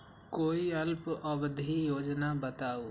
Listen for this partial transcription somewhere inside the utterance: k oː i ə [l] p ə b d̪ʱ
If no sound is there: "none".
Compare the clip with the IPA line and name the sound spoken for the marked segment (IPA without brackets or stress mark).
l